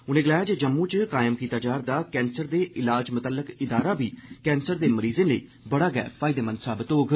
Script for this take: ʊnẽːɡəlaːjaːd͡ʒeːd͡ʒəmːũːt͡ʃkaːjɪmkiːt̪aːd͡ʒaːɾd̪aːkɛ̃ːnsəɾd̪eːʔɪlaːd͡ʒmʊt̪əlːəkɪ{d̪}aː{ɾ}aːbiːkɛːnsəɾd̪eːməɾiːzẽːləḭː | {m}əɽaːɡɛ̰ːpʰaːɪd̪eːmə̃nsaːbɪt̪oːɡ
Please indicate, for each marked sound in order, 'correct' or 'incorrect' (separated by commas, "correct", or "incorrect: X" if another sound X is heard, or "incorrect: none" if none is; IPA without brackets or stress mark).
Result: correct, correct, incorrect: b